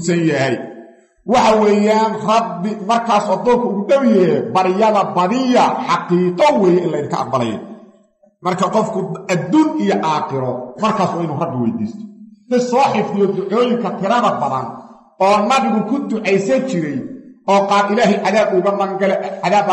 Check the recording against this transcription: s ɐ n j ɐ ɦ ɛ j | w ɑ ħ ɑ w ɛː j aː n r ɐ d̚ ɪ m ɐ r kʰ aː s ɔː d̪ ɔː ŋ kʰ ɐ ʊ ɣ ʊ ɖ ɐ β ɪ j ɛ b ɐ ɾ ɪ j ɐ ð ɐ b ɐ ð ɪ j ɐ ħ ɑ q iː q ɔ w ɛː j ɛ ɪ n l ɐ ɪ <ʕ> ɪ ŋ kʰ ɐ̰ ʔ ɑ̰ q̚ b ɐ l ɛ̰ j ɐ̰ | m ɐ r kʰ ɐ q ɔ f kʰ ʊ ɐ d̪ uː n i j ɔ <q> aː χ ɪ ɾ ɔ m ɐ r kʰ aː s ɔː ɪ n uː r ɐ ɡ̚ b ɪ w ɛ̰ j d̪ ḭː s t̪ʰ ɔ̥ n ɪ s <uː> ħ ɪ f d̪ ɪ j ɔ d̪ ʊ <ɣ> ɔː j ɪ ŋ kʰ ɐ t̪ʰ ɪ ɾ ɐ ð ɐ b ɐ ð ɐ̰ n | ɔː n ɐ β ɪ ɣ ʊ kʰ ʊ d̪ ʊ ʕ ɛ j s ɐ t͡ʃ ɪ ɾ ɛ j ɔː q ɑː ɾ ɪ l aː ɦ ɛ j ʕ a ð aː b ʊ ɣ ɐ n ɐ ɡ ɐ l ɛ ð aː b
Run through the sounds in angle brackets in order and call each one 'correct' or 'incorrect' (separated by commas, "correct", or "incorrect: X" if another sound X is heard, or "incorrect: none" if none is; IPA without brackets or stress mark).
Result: incorrect: ð, incorrect: ʔ, incorrect: ɔː, incorrect: ʕ